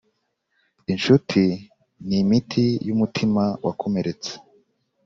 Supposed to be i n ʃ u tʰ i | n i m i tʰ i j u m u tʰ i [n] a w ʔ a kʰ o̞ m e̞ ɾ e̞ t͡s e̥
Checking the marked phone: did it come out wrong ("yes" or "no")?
yes